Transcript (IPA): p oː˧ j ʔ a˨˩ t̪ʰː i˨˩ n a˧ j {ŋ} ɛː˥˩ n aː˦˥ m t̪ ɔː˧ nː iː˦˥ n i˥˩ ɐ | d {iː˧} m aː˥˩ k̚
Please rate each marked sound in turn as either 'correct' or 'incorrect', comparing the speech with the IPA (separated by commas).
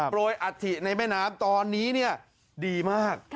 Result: incorrect, correct